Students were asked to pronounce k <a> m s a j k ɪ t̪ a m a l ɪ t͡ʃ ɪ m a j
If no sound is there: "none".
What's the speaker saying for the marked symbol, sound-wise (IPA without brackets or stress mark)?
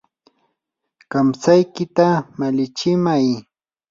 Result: a